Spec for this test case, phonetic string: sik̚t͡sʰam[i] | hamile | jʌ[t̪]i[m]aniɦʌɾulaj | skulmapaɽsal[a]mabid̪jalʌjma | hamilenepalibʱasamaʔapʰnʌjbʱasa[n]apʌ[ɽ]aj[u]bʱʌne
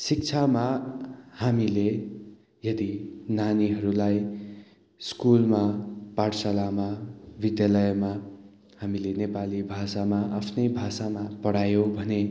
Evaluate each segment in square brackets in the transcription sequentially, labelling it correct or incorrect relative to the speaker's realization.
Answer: incorrect: a, incorrect: d̪, incorrect: n, correct, incorrect: m, correct, incorrect: o

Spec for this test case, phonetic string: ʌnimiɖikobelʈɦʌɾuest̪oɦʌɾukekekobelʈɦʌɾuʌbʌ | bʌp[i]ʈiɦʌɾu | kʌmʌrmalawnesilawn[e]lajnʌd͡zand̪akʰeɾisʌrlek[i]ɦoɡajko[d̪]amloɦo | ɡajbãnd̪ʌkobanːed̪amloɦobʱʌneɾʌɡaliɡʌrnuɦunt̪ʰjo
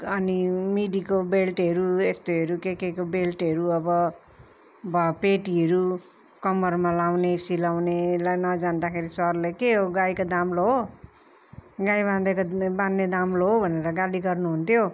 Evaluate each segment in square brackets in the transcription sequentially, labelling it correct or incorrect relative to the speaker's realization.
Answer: incorrect: e, correct, incorrect: e, correct

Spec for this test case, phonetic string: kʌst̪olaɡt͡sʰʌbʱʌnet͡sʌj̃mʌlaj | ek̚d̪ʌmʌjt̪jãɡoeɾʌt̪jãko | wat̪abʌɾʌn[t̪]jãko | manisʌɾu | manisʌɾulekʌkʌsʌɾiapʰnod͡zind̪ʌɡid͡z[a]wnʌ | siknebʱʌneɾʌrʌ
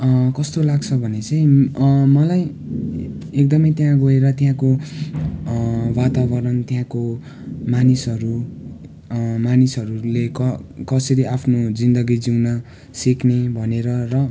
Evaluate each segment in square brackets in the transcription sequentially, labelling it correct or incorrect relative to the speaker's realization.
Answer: correct, incorrect: i

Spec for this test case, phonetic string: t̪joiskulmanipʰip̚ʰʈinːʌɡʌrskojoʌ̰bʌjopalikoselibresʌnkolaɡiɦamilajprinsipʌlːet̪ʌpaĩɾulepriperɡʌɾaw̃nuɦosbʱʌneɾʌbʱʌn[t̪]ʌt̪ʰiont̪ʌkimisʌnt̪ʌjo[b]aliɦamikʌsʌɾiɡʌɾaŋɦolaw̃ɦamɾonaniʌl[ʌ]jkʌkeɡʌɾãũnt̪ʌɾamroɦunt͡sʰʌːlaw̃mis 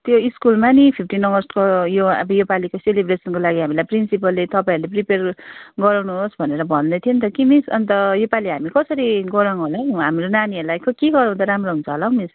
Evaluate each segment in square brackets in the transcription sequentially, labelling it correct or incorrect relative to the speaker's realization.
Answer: incorrect: d̪, incorrect: p, incorrect: a

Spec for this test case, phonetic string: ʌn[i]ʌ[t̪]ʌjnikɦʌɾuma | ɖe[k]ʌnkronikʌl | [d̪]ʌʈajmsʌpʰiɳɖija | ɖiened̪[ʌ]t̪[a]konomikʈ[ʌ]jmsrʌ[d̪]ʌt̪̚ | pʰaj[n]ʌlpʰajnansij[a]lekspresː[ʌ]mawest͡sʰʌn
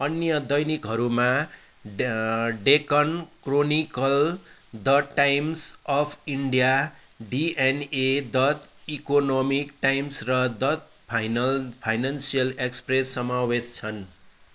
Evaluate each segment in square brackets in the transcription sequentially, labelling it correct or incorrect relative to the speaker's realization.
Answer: incorrect: j, incorrect: d̪, correct, correct, correct, incorrect: i, incorrect: a, correct, correct, incorrect: ʌ, correct

